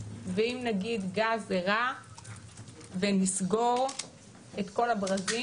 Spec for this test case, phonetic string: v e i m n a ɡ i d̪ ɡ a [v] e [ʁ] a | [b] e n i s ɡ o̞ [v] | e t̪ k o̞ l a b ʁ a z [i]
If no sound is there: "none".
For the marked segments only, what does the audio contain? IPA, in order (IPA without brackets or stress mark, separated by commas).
z, ʁ, v, ʁ, i